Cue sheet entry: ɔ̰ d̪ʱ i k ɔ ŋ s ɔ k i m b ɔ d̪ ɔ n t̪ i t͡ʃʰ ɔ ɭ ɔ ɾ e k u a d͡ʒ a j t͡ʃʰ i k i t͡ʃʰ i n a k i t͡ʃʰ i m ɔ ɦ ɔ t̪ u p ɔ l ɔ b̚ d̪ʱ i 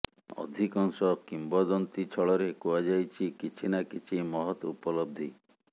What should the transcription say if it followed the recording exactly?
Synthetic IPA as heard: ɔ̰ d̪ʱ i k ɔ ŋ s ɔ k i m b ɔ d̪ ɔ n t̪ i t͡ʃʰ ɔ ɭ ɔ ɾ e k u a d͡ʒ a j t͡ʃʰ i k i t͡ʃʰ i n a k i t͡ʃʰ i m ɔ ɦ ɔ t̪ u p ɔ l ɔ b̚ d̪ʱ i